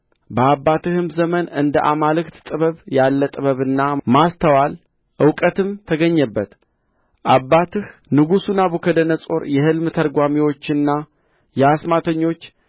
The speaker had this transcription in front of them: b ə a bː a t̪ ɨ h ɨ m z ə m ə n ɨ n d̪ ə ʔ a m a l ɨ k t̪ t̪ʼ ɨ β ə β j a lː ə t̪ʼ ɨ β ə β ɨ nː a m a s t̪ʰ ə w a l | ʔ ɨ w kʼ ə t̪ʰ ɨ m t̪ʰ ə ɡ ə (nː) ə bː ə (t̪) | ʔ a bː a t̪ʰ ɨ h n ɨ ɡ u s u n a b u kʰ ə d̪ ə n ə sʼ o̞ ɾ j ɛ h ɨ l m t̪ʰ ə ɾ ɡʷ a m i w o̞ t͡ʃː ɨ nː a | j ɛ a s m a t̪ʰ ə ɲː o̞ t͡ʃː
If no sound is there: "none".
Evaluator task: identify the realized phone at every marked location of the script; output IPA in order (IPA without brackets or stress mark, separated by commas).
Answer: ɲː, t̪